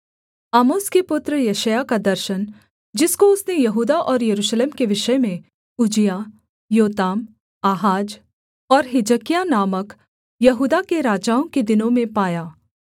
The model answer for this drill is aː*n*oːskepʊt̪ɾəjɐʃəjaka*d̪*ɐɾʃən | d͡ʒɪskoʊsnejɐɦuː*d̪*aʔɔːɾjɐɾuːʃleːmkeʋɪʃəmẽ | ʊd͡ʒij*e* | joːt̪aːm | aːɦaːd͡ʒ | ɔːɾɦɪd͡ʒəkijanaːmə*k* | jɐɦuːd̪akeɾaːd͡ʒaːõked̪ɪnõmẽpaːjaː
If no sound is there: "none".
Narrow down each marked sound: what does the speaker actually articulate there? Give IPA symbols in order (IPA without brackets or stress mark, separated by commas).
m, d̪, d̪, a, k